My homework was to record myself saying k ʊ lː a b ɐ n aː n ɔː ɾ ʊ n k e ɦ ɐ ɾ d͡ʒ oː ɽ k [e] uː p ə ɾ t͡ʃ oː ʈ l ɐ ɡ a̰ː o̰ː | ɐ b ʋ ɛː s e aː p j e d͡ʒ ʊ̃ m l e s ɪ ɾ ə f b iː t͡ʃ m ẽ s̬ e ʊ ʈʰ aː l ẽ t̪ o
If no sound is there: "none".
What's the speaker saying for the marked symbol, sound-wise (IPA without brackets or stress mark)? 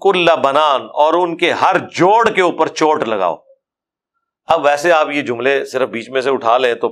e